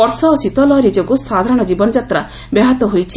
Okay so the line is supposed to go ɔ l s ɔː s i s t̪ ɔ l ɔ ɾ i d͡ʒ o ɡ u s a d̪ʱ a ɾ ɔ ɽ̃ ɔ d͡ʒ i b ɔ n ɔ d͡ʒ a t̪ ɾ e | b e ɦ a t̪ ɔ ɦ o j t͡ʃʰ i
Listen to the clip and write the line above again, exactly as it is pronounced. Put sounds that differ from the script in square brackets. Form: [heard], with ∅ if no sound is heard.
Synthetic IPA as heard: ɔ [ɾ] s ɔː s i [∅] t̪ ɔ l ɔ ɾ i d͡ʒ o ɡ u s a d̪ʱ a ɾ ɔ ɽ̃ ɔ d͡ʒ i b ɔ n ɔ d͡ʒ a t̪ ɾ [a] | b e ɦ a t̪ ɔ ɦ o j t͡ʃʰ i